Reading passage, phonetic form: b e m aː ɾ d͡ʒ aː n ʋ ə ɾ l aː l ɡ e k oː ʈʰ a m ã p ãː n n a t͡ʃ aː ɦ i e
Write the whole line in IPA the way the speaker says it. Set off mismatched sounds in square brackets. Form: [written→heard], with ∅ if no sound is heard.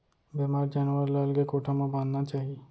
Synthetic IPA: b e m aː ɾ d͡ʒ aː n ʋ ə ɾ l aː l ɡ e k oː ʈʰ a m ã [p→b] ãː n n a t͡ʃ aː ɦ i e